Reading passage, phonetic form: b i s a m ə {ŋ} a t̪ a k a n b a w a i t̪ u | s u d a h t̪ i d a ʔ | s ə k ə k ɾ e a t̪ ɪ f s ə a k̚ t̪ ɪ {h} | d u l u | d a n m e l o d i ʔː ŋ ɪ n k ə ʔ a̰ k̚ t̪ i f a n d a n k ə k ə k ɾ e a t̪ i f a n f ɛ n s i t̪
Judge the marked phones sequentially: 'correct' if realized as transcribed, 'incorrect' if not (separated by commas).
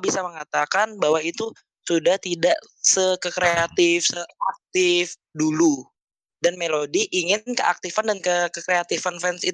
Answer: correct, incorrect